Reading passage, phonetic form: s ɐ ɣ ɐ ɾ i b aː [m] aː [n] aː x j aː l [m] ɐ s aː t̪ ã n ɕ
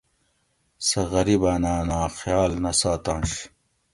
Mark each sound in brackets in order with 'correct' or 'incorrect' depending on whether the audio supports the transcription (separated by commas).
incorrect, correct, incorrect